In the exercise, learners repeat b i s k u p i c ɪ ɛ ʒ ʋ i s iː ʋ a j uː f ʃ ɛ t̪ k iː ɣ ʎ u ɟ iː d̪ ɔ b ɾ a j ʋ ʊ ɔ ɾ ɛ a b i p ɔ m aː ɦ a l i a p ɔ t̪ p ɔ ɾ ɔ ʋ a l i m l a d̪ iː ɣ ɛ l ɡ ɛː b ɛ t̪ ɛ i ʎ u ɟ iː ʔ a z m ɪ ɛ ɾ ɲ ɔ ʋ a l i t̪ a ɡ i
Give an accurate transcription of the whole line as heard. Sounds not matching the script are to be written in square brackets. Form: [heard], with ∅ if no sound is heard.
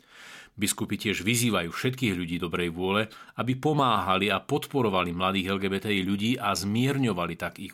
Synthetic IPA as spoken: b i s k u p i c ɪ ɛ ʒ ʋ i [z] iː ʋ a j uː f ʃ ɛ t̪ k iː ɣ ʎ u ɟ iː d̪ ɔ b ɾ [ɛ] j ʋ ʊ ɔ [l] ɛ a b i p ɔ m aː ɦ a l i a p ɔ t̪ p ɔ ɾ ɔ ʋ a l i m l a d̪ iː ɣ ɛ l ɡ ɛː b ɛ t̪ ɛ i ʎ u ɟ iː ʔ a z m ɪ ɛ ɾ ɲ ɔ ʋ a l i t̪ a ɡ i